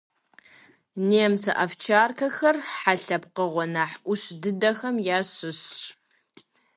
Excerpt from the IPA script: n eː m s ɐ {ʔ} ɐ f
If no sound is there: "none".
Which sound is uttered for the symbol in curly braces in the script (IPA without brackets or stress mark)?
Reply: ʔ